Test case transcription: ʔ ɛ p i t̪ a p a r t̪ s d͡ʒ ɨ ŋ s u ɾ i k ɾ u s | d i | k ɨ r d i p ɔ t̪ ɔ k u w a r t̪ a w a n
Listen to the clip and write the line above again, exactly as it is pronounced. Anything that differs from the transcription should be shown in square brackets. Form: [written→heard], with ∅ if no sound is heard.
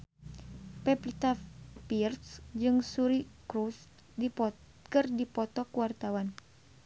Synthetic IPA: [ʔ→p] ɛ p i t̪ a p [a→i] r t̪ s d͡ʒ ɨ ŋ s u ɾ i k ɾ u s | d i | k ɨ r d i p ɔ t̪ ɔ k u w a r t̪ a w a n